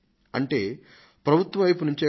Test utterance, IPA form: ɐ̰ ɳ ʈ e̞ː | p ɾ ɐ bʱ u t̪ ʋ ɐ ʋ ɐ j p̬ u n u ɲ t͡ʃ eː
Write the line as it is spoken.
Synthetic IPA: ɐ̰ ɳ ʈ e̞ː | p ɾ ɐ bʱ u t̪ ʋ ɐ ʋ ɐ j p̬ u n u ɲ t͡ʃ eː